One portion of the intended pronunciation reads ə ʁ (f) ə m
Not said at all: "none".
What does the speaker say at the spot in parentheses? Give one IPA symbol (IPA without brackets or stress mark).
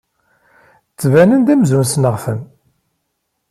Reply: f